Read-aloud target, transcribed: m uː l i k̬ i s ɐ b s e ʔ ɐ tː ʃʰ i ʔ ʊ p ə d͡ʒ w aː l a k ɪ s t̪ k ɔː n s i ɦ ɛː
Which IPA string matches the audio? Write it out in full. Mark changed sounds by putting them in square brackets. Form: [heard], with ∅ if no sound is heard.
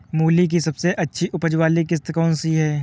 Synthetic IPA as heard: m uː l i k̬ i s ɐ b s e ʔ ɐ tː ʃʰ i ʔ ʊ p ə d͡ʒ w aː l [i] k ɪ s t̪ k ɔː n s i ɦ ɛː